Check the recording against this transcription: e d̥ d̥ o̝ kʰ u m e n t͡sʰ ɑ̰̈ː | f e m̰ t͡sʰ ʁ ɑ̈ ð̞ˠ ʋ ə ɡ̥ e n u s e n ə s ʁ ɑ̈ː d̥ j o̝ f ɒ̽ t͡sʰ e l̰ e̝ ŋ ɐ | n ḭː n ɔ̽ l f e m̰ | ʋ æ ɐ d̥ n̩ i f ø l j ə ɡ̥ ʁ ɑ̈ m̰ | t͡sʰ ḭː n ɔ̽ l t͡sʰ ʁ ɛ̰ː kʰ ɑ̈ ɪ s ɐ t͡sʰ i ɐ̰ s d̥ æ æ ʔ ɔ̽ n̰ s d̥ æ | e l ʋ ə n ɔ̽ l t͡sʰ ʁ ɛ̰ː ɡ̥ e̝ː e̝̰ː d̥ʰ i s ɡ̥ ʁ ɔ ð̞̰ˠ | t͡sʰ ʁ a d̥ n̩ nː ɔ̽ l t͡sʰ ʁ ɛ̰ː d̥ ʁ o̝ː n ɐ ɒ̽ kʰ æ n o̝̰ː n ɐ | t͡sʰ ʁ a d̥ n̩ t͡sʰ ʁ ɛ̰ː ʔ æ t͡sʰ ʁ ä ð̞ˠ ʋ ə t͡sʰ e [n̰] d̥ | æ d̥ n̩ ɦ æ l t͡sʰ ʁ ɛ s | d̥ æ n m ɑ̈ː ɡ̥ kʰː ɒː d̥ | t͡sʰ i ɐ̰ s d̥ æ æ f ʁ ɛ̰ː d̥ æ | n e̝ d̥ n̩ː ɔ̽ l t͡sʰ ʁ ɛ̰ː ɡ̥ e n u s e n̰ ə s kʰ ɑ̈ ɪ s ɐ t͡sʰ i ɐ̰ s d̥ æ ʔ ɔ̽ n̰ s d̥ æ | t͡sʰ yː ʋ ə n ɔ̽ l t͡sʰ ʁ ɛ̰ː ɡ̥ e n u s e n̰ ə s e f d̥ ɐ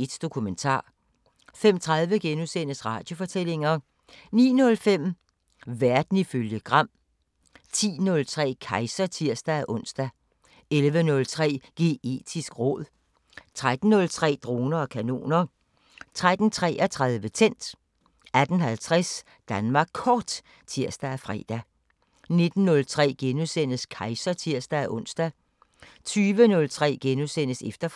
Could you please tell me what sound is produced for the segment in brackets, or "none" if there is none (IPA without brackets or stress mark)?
n̰